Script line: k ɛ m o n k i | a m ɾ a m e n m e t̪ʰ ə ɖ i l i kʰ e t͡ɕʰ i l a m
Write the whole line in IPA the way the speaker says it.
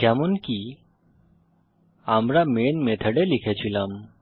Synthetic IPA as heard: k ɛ m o n k i | a m ɾ a m e n m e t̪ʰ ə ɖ e l i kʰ e t͡ɕʰ i l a m